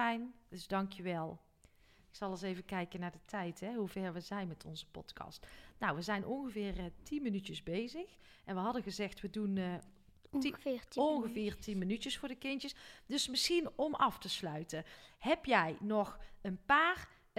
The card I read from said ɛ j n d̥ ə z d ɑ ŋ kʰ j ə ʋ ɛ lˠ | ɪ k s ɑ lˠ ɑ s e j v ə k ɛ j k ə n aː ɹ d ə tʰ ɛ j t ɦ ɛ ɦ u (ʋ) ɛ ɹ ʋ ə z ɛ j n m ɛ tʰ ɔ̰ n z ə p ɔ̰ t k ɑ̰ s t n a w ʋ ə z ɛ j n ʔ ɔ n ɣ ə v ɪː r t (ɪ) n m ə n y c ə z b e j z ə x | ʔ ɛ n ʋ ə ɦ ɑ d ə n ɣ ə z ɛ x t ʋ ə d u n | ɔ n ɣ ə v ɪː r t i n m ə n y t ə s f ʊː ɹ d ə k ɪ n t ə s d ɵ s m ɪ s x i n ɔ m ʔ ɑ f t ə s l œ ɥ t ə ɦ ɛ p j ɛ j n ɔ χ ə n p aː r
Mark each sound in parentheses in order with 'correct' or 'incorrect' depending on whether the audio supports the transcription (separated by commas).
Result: incorrect, incorrect